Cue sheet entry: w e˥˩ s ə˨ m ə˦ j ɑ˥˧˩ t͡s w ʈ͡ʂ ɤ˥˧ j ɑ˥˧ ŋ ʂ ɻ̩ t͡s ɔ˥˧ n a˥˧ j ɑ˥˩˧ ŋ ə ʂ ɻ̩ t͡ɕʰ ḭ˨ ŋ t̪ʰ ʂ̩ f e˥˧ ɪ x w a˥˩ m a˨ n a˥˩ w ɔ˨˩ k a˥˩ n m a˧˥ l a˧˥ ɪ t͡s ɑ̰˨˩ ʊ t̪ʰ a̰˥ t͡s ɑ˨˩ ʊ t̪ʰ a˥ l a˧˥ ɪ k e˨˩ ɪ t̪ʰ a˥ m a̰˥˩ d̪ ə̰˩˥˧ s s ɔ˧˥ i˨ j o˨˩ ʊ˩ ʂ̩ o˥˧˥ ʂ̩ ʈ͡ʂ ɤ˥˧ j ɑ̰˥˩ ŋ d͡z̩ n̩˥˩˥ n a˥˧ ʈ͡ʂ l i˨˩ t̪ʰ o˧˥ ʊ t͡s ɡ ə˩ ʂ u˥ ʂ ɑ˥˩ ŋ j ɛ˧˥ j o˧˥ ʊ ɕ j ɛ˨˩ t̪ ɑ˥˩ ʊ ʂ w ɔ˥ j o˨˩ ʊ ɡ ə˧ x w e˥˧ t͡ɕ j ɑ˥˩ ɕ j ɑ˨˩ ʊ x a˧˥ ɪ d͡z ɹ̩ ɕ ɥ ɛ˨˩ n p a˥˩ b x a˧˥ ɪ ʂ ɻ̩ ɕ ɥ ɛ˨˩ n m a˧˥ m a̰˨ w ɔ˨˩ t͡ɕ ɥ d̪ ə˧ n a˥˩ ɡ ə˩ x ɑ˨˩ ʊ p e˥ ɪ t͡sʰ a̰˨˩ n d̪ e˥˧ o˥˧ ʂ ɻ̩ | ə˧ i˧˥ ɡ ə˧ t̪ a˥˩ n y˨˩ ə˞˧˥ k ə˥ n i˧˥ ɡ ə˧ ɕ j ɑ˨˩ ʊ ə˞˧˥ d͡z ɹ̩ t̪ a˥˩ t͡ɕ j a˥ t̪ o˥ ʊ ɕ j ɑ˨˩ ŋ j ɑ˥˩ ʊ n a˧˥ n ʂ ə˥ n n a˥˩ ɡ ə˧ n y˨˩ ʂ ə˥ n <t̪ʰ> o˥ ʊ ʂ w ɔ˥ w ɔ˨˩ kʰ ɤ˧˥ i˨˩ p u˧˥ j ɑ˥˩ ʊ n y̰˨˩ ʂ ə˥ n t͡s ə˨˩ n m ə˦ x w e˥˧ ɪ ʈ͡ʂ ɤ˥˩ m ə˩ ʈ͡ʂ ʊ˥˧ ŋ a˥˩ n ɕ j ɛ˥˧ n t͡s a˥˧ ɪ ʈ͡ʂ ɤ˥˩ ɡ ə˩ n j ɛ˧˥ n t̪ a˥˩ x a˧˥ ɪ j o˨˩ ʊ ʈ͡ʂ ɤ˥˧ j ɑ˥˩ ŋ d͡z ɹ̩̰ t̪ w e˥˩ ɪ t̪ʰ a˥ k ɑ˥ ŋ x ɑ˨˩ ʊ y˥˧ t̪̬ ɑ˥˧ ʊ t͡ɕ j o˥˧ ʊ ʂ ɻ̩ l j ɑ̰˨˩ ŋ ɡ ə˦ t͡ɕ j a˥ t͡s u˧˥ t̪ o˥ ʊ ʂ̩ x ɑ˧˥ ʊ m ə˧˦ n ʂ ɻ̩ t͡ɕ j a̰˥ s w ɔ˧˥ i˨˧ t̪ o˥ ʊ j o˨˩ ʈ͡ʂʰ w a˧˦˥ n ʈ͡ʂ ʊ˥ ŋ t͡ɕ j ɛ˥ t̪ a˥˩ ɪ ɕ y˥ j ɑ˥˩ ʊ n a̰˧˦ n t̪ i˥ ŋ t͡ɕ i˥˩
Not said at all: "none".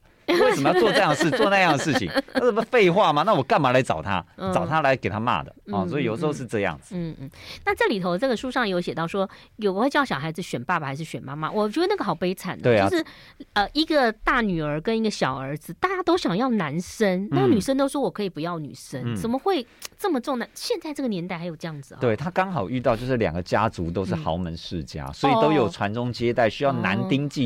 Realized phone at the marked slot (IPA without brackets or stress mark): t̪